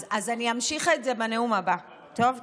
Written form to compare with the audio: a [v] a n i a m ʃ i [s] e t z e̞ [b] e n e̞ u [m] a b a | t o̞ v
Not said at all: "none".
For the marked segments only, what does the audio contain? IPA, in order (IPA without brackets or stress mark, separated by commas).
z, χ, b, m